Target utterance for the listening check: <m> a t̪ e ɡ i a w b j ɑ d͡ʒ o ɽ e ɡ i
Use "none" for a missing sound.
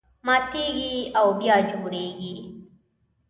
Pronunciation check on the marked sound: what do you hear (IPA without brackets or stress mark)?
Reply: m